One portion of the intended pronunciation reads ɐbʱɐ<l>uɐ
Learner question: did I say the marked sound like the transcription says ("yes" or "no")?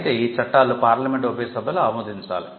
yes